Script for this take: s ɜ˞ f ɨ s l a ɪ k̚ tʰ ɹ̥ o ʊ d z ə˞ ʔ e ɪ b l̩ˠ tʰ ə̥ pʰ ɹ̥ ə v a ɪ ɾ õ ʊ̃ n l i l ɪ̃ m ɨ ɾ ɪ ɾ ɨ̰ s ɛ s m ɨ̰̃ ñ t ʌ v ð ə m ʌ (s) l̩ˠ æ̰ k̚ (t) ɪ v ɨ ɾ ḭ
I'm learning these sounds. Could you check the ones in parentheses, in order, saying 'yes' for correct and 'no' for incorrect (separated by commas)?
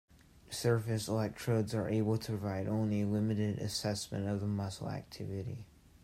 yes, no